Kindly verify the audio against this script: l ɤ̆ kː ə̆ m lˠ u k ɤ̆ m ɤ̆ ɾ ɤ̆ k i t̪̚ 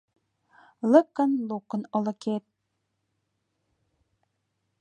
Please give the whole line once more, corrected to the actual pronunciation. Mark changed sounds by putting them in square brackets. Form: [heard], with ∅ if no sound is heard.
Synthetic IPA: l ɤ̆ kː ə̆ [n] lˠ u k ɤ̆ [n] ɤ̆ [l] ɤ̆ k [e] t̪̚